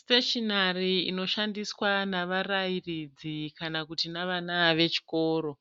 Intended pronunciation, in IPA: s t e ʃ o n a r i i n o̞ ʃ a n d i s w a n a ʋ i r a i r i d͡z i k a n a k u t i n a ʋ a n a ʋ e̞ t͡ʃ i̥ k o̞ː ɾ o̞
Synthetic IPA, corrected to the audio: s t e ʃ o n a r i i n o̞ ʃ a n d i s w a n a ʋ a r a i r i d͡z i k a n a k u t i n a ʋ a n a ʋ e̞ t͡ʃ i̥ k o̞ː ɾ o̞